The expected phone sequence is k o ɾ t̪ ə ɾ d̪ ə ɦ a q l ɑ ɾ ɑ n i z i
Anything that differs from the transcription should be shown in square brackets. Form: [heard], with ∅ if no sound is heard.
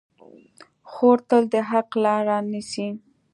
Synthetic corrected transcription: [x] o ɾ t̪ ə [l] d̪ ə ɦ a q l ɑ ɾ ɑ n i [s] i